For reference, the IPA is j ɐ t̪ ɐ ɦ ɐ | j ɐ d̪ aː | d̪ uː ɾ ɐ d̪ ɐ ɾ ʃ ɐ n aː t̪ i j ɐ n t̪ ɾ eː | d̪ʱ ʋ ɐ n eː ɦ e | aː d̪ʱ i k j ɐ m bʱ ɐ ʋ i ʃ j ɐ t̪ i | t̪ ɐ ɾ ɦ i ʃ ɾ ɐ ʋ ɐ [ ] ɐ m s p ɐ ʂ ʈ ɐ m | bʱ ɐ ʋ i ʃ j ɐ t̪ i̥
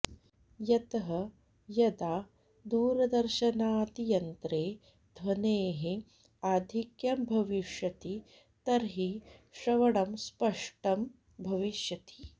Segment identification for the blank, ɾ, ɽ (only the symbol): ɽ